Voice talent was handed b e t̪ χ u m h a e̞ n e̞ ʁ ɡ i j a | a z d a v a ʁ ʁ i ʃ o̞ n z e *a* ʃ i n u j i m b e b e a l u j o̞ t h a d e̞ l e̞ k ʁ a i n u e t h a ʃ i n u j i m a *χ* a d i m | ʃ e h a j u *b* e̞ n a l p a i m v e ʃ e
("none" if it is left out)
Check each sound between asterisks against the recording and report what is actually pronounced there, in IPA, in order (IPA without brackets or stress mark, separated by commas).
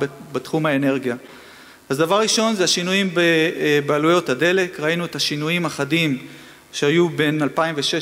a, χ, b